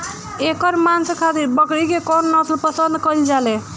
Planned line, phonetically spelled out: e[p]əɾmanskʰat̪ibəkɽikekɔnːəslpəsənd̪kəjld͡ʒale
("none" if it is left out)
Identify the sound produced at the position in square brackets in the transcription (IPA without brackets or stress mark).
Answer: k